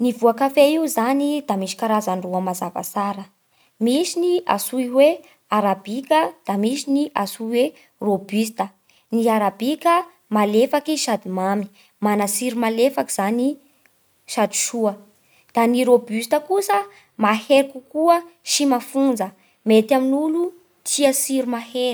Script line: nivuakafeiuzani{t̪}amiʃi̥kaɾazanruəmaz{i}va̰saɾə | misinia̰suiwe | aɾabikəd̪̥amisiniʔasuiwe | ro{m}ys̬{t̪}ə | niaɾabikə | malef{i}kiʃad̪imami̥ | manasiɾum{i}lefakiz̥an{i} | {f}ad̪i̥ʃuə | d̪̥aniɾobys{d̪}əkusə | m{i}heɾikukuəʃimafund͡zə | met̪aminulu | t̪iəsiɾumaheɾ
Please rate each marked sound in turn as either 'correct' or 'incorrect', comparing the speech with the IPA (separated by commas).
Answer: incorrect, incorrect, incorrect, correct, incorrect, incorrect, correct, incorrect, incorrect, incorrect